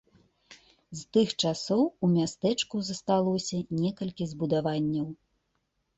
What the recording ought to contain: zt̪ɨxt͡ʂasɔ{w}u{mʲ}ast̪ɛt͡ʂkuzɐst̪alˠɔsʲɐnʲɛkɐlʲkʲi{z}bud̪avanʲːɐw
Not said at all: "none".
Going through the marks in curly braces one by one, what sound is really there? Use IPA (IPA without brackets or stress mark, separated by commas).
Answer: w, mʲ, z